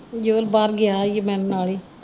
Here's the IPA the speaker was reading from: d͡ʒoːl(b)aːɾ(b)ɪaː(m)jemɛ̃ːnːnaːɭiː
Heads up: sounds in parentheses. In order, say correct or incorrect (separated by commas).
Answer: correct, incorrect, incorrect